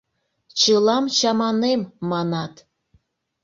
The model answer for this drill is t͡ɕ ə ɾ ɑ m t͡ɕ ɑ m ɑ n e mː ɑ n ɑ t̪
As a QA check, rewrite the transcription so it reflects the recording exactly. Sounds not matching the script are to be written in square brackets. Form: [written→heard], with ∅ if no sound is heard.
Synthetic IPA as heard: t͡ɕ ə [ɾ→l] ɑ m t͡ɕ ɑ m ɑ n e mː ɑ n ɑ t̪